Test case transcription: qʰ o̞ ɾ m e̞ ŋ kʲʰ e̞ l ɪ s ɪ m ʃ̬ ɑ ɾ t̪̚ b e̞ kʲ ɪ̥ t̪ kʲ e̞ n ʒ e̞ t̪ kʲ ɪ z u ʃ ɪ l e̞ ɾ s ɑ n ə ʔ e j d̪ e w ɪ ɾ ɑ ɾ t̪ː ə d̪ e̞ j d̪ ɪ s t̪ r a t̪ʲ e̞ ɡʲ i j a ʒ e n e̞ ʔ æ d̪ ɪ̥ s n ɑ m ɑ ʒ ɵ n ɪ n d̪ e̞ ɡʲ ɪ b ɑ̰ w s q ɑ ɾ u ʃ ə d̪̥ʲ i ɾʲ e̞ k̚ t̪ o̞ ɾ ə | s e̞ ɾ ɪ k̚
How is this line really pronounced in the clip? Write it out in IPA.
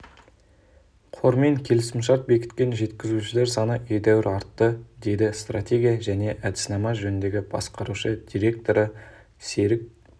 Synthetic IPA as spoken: qʰ o̞ ɾ m e̞ ŋ kʲʰ e̞ l ɪ s ɪ m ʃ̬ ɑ ɾ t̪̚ b e̞ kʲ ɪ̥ t̪ kʲ e̞ n ʒ e̞ t̪ kʲ ɪ z u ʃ ɪ l e̞ ɾ s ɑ n ə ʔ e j d̪ æ w ɪ ɾ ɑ ɾ t̪ː ə d̪ e̞ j d̪ ɪ s t̪ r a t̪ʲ e̞ ɡʲ i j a ʒ æ n e̞ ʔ æ d̪ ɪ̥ s n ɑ m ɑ ʒ ɵ n ɪ n d̪ e̞ ɡʲ ɪ b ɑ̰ s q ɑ ɾ u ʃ ə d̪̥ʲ i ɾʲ e̞ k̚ t̪ o̞ ɾ ə | s e̞ ɾ ɪ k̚